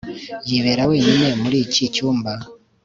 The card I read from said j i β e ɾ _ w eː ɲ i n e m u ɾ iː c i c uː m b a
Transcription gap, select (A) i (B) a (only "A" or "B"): B